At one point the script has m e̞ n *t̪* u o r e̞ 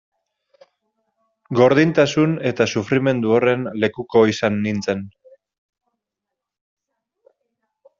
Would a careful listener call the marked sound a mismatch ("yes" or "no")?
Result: yes